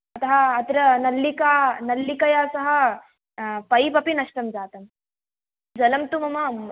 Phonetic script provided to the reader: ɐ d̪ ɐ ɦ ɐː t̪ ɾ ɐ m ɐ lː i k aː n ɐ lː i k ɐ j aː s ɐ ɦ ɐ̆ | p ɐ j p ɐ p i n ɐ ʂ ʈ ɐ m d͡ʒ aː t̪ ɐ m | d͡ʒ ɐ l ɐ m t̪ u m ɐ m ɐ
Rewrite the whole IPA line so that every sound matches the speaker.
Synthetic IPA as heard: ɐ t̪ ɐ ɦ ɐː t̪ ɾ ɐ n ɐ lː i k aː n ɐ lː i k ɐ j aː s ɐ ɦ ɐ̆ | p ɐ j p ɐ p i n ɐ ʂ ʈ ɐ m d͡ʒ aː t̪ ɐ m | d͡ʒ ɐ l ɐ m t̪ u m ɐ m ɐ